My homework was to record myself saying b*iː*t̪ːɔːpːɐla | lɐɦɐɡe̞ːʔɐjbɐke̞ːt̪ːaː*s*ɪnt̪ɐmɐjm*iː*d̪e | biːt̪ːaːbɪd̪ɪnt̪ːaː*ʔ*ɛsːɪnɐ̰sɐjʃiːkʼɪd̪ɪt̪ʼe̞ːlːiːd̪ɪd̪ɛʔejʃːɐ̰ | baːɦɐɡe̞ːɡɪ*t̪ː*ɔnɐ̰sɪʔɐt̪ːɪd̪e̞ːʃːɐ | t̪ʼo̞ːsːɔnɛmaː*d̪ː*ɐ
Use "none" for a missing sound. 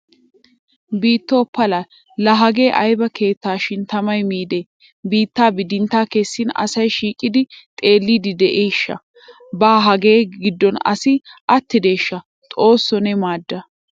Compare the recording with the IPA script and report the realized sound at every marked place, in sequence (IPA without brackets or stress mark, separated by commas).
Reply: iː, ʃ, iː, k, d̪ː, d̪ː